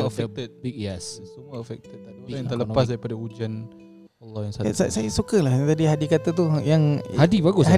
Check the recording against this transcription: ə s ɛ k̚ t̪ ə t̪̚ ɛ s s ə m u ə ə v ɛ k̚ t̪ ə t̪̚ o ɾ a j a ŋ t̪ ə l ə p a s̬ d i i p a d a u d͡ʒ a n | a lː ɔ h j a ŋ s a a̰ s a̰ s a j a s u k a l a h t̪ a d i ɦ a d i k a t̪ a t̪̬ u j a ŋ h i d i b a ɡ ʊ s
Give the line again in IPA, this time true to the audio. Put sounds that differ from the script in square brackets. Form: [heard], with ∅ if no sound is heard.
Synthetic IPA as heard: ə [f] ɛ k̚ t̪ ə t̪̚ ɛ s s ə m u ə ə [f] ɛ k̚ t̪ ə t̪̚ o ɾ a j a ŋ t̪ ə l ə p a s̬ d [a] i p a d a u d͡ʒ a n | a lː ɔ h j a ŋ s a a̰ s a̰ s a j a s u k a l a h t̪ a d i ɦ a d i k a t̪ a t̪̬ u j a ŋ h [a] d i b a ɡ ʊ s